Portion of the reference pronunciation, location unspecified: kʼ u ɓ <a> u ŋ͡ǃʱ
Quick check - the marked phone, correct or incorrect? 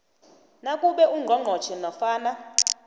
incorrect